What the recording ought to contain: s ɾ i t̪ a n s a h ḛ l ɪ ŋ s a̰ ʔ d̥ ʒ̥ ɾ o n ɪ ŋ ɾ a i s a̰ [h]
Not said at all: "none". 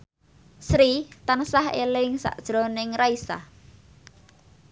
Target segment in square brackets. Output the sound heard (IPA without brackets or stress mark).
h